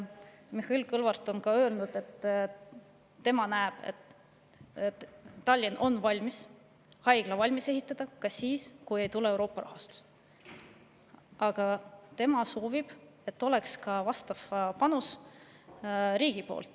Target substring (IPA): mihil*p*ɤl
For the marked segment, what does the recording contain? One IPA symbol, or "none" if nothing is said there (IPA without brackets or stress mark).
k